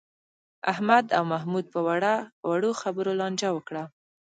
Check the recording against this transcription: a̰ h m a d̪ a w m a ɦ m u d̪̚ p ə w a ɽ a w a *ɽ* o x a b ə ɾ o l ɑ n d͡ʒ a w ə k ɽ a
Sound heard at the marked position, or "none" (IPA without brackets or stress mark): ɽ